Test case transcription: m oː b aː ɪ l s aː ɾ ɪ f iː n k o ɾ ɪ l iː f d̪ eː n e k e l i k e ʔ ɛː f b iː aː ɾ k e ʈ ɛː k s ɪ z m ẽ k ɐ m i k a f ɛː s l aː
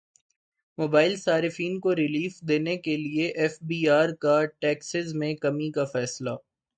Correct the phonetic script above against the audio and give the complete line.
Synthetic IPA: m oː b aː ɪ l s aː ɾ ɪ f iː n k o ɾ ɪ l iː f d̪ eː n e k e l i e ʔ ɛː f b iː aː ɾ k a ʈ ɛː k s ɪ z m ẽ k ɐ m i k a f ɛː s l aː